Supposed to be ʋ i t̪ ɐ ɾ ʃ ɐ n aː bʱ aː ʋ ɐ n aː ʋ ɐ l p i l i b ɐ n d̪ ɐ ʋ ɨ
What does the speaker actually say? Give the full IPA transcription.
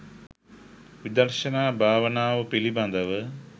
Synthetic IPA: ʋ i d̪ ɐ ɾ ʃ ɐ n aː bʱ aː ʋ ɐ n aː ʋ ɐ p i l i b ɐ n d̪ ɐ ʋ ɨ